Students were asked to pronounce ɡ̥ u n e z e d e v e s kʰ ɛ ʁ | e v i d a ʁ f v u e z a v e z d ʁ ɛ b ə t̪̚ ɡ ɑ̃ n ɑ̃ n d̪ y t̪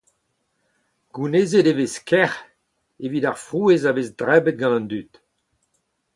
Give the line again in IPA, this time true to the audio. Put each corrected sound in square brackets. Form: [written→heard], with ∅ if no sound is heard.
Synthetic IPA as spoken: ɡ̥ u n e z e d e v e s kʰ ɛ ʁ | e v i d a ʁ f [v→ʁ] u e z a v e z d ʁ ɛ b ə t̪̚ ɡ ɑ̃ n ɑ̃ n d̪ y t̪